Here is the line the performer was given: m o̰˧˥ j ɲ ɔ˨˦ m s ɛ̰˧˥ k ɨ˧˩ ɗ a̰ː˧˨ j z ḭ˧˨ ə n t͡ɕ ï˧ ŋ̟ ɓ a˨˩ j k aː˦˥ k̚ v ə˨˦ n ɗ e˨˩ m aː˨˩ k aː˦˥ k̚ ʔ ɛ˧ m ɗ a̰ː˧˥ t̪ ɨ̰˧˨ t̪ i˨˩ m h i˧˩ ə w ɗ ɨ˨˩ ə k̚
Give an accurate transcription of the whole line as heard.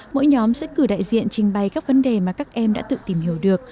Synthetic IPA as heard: m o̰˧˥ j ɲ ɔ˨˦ m s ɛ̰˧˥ k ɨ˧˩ ɗ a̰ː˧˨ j z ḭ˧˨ ə n t͡ɕ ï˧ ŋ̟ ɓ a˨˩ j k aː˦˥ k̚ v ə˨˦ n ɗ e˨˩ m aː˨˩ k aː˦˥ k̚ ʔ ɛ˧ m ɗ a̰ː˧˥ t̪ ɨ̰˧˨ t̪ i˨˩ m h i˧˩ ə w ɗ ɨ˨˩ ə k̚